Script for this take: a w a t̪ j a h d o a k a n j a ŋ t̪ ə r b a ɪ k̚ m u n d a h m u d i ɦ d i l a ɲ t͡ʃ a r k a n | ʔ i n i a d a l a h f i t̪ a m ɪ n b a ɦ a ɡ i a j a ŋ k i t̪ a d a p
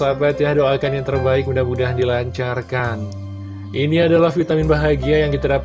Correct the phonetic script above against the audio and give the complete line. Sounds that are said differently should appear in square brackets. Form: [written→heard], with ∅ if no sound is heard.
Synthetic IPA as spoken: a [w→b] a t̪ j a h d o a k a n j a ŋ t̪ ə r b a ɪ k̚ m u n d a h m u d [i→a] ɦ d i l a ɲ t͡ʃ a r k a n | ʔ i n i a d a l a h f i t̪ a m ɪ n b a ɦ a ɡ i a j a ŋ k i t̪ a d a p